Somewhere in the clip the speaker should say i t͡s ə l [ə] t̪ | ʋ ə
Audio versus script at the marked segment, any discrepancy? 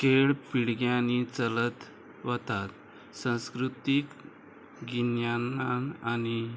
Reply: no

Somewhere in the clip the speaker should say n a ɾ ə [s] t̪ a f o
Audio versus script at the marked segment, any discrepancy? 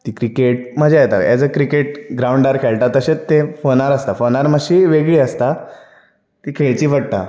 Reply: no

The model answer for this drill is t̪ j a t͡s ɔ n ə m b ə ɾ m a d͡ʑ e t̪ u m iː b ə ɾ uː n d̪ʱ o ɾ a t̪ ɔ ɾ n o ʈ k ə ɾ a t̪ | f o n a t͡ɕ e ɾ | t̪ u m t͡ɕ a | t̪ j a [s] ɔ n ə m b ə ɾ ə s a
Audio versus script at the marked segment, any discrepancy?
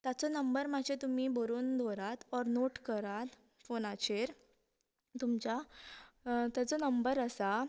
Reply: yes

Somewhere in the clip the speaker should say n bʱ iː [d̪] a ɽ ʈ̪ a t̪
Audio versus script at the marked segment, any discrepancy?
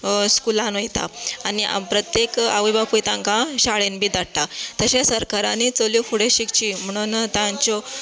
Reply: no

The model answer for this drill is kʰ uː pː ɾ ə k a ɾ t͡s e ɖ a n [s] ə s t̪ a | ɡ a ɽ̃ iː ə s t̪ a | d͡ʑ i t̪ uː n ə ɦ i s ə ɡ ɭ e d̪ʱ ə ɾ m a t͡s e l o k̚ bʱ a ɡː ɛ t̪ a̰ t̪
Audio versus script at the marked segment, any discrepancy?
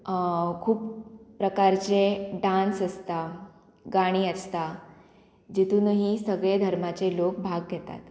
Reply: no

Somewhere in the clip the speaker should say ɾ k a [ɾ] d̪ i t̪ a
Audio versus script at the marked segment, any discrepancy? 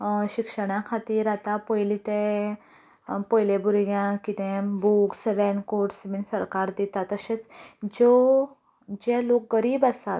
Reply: no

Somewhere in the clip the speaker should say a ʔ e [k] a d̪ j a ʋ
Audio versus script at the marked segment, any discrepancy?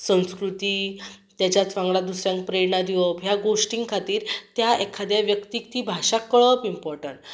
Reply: yes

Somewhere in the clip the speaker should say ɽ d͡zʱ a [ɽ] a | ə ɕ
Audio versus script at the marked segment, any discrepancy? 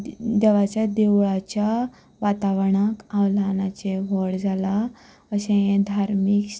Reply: yes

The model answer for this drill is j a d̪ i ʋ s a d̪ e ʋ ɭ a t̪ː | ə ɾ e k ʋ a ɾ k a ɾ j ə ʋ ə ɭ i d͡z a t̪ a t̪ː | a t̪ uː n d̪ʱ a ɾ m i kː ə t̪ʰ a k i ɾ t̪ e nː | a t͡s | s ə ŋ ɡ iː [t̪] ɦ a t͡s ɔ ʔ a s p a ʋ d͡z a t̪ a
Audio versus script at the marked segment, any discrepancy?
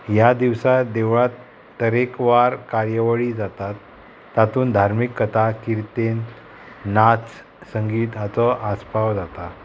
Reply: no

